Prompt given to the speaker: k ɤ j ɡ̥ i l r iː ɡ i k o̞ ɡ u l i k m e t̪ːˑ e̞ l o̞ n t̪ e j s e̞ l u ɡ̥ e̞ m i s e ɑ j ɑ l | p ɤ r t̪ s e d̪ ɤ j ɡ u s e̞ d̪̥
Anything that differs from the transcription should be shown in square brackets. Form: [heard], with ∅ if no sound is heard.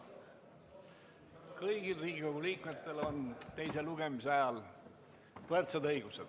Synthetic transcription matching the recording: k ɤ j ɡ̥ i l r iː ɡ i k o̞ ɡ u l [iː] k m e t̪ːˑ e̞ l o̞ n t̪ e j s e̞ l u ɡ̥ e̞ m i s e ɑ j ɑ l | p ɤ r t̪ s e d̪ ɤ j ɡ u s e̞ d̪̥